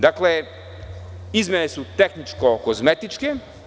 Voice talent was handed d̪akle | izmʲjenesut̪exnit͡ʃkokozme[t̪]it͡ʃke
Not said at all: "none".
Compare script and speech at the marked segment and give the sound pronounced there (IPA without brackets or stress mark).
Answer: t̪